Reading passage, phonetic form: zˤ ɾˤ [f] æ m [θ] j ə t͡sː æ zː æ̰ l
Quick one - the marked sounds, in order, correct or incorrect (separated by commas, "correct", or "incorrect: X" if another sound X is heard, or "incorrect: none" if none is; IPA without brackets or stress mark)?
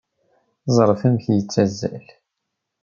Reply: correct, correct